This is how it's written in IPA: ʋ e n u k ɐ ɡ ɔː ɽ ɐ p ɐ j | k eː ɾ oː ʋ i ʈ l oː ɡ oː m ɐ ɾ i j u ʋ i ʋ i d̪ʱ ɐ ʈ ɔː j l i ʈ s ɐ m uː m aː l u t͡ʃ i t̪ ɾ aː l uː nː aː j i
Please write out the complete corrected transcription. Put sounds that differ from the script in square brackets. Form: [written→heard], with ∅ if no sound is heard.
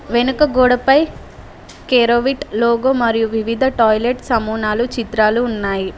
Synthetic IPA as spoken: ʋ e n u k ɐ ɡ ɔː ɽ ɐ p ɐ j | k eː ɾ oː ʋ i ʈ l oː ɡ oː m ɐ ɾ i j u ʋ i ʋ i d̪ʱ ɐ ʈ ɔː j l [i→e] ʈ s ɐ m uː [m→n] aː l u t͡ʃ i t̪ ɾ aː l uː nː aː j i